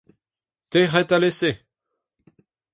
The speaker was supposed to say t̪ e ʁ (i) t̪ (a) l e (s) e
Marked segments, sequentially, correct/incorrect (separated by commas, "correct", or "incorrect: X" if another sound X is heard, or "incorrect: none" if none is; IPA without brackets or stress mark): incorrect: ɛ, correct, correct